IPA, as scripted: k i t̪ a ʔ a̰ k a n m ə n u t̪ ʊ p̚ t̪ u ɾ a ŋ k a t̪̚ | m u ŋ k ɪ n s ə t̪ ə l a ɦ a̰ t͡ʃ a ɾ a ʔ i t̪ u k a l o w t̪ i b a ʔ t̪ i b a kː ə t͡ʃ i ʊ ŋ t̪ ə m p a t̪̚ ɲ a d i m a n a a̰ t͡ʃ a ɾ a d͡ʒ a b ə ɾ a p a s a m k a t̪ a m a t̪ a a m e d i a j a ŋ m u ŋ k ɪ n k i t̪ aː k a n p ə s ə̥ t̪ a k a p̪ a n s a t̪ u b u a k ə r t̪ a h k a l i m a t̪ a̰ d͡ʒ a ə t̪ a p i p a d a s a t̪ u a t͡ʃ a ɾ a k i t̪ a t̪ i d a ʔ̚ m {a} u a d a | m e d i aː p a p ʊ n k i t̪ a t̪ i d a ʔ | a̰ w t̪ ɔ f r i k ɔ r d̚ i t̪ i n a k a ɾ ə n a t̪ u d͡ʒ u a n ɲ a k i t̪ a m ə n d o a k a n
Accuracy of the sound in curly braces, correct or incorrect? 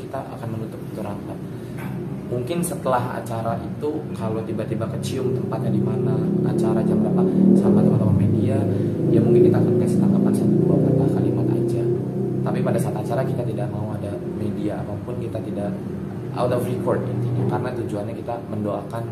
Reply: correct